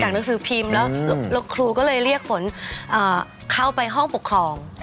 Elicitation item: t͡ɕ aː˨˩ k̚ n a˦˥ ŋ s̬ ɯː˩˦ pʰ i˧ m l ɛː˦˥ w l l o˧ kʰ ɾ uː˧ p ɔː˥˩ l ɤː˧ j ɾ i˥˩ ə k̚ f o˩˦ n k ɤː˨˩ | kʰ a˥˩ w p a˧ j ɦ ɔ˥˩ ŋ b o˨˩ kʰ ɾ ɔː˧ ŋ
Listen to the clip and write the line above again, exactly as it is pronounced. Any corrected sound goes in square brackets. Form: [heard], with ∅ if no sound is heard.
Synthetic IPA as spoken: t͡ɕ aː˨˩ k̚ n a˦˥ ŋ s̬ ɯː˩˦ pʰ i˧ m l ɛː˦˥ w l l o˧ kʰ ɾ uː˧ [k] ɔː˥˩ l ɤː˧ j ɾ i˥˩ ə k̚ f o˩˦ n [ʔ] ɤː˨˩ | kʰ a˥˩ w p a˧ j ɦ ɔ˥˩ ŋ [p] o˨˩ kʰ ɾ ɔː˧ ŋ